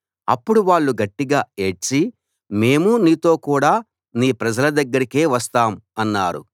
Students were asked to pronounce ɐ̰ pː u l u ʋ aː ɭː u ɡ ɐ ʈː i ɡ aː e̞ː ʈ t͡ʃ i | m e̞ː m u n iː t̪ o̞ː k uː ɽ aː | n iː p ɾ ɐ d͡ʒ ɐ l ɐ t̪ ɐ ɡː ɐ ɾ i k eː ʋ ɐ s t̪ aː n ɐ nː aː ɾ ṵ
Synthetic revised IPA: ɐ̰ pː u ɽ u ʋ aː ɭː u ɡ ɐ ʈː i ɡ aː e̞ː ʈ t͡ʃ i | m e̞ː m u n iː t̪ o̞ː k uː ɽ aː | n iː p ɾ ɐ d͡ʒ ɐ l ɐ d̪ ɐ ɡː ɐ ɾ i k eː ʋ ɐ s t̪ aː m ɐ nː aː ɾ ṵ